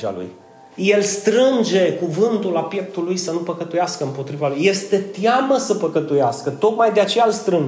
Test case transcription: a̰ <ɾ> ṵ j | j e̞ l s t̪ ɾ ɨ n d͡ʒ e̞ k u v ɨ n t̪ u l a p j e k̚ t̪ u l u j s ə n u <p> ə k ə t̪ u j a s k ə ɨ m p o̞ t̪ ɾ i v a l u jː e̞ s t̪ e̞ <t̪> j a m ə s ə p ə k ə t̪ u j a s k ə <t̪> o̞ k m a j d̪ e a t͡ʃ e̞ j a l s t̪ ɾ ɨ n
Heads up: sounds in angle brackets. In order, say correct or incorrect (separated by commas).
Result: incorrect, correct, correct, correct